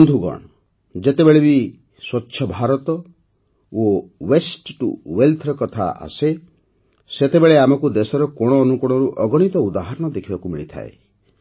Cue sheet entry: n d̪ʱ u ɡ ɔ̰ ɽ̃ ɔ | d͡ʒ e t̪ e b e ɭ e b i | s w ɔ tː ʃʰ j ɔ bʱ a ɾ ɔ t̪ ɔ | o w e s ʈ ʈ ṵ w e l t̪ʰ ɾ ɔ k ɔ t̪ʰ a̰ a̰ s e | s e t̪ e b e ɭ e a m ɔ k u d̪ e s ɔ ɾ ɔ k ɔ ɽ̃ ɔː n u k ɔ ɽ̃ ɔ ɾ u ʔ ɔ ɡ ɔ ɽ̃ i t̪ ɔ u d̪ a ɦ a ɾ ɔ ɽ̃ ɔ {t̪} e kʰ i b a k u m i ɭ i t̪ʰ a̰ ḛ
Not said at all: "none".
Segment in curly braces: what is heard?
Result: d̪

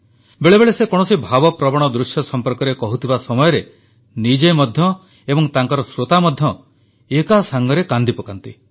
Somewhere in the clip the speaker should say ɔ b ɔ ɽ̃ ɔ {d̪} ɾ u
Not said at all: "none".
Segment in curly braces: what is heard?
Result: d̪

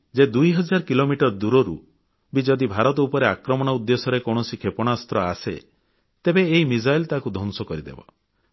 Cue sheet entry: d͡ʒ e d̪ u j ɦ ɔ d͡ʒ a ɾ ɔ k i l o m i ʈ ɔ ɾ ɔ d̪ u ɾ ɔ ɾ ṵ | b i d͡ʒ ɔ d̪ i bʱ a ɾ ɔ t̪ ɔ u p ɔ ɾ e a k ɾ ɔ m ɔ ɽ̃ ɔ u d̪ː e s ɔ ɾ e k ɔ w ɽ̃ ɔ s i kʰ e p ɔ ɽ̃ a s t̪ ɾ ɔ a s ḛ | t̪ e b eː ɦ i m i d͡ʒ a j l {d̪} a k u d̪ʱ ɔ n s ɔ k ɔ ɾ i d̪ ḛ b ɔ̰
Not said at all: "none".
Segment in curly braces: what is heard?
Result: t̪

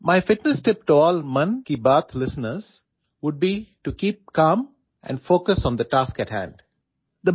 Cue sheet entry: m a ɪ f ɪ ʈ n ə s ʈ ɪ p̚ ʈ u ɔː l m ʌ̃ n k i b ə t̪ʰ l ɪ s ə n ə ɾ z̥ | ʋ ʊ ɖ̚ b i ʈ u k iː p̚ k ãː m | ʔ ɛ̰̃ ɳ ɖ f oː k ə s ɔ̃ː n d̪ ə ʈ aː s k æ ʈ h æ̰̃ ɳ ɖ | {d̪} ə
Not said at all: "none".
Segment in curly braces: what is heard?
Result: d̪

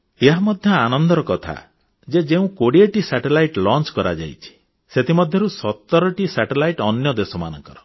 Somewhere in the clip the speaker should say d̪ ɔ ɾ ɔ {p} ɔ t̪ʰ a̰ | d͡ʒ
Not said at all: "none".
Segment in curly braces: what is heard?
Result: k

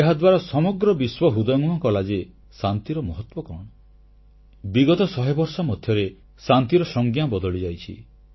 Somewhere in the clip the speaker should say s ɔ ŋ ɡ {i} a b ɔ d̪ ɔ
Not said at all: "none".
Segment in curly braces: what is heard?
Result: j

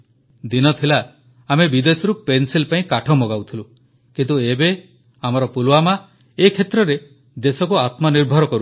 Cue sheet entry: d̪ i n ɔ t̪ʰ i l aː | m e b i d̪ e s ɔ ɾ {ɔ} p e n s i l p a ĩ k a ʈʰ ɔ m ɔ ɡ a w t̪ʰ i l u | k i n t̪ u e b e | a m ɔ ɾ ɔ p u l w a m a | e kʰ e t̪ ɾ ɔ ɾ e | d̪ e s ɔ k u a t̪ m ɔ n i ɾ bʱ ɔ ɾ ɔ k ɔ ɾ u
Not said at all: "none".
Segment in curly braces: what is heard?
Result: u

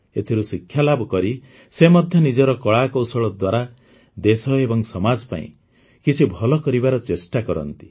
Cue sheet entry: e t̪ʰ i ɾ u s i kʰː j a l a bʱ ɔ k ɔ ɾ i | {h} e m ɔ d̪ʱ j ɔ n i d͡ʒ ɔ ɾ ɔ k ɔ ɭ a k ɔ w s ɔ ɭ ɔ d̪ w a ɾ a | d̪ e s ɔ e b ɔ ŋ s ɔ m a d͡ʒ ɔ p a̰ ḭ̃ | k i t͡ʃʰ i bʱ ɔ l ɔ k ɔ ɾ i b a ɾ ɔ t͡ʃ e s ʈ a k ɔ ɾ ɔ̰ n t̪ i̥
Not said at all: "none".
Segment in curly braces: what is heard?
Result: s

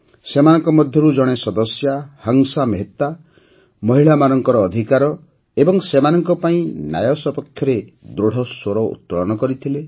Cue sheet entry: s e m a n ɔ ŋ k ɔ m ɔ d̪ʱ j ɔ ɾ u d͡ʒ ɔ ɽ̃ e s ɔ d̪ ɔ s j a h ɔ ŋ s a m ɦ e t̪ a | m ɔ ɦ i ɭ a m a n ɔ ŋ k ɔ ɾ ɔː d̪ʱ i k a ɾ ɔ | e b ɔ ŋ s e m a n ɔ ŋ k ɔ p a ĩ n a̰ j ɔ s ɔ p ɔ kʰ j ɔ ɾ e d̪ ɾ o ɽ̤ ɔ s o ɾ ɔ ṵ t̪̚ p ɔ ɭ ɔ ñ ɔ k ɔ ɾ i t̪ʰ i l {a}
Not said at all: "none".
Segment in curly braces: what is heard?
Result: e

